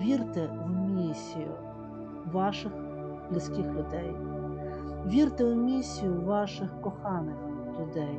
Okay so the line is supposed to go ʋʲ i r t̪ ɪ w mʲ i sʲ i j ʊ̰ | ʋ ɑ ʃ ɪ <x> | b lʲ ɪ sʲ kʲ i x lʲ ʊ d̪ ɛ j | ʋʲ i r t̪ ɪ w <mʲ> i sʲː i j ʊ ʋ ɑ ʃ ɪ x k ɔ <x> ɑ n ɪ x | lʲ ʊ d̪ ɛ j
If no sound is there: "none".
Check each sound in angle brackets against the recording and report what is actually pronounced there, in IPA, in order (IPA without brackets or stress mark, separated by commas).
x, mʲ, x